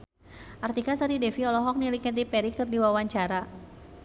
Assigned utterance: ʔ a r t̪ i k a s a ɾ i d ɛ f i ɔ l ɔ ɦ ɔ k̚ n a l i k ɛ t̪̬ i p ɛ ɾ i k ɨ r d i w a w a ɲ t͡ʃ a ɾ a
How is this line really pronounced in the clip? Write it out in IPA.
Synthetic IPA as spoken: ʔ a r t̪ i k a s a ɾ i d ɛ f i ɔ l ɔ ɦ ɔ k̚ n i l i k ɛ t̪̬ i p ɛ ɾ i k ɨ r d i w a w a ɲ t͡ʃ a ɾ a